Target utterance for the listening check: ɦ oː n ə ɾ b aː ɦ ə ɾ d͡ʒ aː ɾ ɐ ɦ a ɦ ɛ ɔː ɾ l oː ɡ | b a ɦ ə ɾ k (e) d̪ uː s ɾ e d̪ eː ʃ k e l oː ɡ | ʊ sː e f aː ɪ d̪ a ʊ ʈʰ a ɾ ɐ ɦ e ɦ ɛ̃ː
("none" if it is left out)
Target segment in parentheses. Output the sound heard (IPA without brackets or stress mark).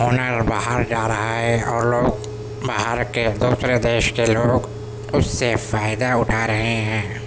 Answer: e